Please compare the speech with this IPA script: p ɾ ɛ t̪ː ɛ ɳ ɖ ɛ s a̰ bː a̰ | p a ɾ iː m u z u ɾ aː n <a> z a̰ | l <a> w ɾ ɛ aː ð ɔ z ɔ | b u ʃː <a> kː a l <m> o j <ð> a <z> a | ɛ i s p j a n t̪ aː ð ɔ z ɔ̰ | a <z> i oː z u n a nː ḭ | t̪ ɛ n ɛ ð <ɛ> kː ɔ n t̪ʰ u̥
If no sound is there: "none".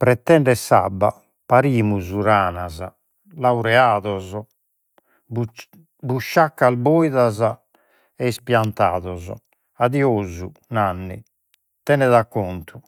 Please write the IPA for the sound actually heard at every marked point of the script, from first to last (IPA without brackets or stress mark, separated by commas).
a, a, a, b, ð, z, ð, a